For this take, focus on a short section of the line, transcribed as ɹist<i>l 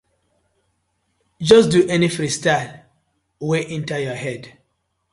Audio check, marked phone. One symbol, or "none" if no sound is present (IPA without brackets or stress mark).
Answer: a